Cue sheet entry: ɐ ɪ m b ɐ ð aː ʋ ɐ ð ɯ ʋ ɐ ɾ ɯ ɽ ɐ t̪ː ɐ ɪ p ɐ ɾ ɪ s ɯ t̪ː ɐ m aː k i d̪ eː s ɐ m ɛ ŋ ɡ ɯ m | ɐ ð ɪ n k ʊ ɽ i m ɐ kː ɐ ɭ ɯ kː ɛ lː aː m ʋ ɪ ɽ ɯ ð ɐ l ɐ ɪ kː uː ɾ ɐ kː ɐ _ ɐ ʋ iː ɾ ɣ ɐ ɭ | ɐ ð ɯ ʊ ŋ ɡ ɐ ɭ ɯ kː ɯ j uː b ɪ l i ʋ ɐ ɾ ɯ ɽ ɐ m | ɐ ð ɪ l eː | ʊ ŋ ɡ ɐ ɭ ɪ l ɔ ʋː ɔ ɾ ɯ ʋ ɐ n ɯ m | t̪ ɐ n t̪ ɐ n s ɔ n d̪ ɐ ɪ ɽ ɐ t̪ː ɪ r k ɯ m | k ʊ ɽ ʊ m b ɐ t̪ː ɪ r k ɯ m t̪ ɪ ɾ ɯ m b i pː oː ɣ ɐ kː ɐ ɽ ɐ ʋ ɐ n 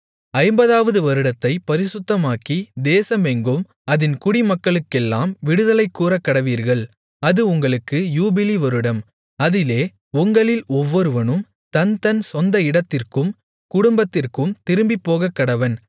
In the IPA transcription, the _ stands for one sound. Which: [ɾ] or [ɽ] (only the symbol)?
ɽ